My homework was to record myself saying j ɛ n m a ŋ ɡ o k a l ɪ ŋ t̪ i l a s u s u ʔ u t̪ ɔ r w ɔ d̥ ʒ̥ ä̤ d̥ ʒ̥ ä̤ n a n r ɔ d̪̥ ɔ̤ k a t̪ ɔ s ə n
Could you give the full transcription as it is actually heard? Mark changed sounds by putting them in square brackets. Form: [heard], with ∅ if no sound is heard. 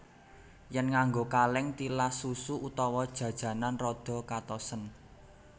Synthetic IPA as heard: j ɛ n [ŋ] a ŋ ɡ o k a l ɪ ŋ t̪ i l a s u s u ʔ u t̪ ɔ [∅] w ɔ d̥ ʒ̥ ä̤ d̥ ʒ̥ ä̤ n a n r ɔ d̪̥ ɔ̤ k a t̪ ɔ s ə n